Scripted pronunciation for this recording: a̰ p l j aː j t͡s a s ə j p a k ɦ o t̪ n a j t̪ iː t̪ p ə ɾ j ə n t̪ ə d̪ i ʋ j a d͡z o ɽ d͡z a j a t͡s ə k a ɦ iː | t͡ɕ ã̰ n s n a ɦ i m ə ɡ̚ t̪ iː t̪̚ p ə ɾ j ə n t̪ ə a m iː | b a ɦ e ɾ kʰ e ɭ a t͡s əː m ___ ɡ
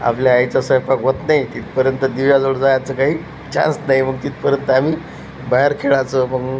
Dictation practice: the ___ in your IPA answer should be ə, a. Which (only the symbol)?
ə